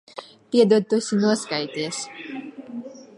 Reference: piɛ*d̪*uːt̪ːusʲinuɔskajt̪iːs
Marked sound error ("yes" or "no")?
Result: no